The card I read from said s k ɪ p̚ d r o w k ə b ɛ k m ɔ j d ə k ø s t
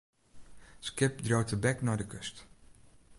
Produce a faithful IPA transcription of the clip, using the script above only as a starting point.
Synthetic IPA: s k ɪ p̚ d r o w t ə b ɛ k n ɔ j d ə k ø s t